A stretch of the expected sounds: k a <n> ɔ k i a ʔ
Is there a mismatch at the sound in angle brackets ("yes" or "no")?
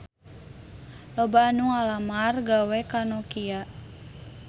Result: no